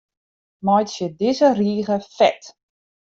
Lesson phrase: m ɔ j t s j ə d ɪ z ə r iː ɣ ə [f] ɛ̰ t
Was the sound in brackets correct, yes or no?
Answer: yes